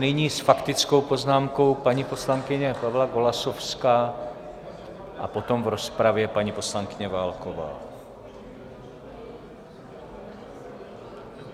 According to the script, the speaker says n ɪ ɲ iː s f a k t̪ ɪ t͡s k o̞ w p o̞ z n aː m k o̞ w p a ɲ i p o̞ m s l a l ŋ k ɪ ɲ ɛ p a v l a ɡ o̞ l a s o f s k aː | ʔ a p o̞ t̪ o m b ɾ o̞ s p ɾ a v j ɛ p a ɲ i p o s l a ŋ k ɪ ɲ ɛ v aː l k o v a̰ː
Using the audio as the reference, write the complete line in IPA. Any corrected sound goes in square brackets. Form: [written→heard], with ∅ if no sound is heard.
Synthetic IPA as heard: n ɪ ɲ iː s f a k t̪ ɪ t͡s k o̞ w p o̞ z n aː m k o̞ w p a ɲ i p o̞ [m→∅] s l a [l→∅] ŋ k ɪ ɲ ɛ p a v l a ɡ o̞ l a s o f s k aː | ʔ a p o̞ t̪ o m [b→v] ɾ o̞ s p ɾ a v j ɛ p a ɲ i p o s l a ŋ k ɪ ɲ ɛ v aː l k o v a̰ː